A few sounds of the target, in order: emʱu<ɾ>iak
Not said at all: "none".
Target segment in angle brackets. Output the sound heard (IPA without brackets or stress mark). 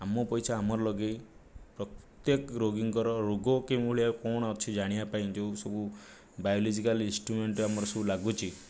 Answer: ɭ